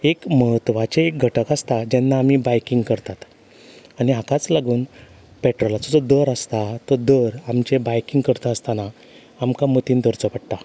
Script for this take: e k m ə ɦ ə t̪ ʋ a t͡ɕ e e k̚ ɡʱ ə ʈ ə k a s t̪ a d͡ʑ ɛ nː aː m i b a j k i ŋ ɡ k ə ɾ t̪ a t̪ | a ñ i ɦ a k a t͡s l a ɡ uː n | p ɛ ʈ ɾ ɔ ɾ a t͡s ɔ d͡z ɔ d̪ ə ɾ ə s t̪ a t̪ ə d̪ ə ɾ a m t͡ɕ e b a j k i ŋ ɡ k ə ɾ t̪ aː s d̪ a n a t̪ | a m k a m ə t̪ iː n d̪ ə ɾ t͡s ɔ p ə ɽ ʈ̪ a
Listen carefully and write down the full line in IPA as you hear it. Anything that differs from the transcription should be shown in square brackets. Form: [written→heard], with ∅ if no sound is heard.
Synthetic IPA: e k m ə ɦ ə t̪ ʋ a t͡ɕ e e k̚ ɡʱ ə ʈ ə k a s t̪ a d͡ʑ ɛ nː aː m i b a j k i ŋ ɡ k ə ɾ t̪ a t̪ | a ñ i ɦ a k a t͡s l a ɡ uː n | p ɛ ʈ ɾ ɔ [ɾ→l] a t͡s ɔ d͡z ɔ d̪ ə ɾ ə s t̪ a t̪ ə d̪ ə ɾ a m t͡ɕ e b a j k i ŋ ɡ k ə ɾ t̪ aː s [d̪→t̪] a n a [t̪→∅] | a m k a m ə t̪ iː n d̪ ə ɾ t͡s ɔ p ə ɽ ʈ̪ a